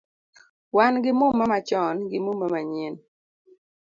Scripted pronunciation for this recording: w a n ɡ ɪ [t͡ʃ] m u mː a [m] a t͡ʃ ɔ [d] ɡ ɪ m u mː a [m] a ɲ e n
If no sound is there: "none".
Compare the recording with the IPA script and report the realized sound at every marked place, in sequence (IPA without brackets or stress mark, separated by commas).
none, m, n, m